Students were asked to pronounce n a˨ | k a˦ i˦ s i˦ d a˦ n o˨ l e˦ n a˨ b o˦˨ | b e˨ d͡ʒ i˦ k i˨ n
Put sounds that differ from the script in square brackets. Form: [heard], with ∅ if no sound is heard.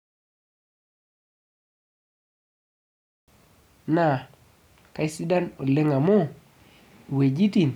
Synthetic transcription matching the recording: n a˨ | k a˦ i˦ s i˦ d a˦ n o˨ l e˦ [ŋ] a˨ [m] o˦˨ | [w] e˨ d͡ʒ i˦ [t] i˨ n